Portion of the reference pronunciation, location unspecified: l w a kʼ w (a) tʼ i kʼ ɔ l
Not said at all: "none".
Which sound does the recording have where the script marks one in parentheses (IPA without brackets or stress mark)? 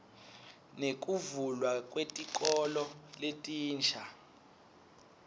e